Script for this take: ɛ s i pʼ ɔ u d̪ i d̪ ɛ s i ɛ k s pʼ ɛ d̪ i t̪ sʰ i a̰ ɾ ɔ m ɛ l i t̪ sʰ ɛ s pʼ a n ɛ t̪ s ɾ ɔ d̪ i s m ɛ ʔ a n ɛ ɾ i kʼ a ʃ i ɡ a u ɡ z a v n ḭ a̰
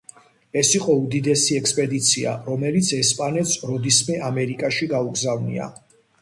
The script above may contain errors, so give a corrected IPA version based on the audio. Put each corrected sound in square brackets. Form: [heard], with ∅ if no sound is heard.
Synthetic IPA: ɛ s i [qʼ] ɔ u d̪ i d̪ ɛ s i ɛ k s pʼ ɛ d̪ i t̪ sʰ i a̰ ɾ ɔ m ɛ l i t̪ sʰ ɛ s pʼ a n ɛ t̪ s ɾ ɔ d̪ i s m ɛ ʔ a [m] ɛ ɾ i kʼ a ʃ i ɡ a u ɡ z a v n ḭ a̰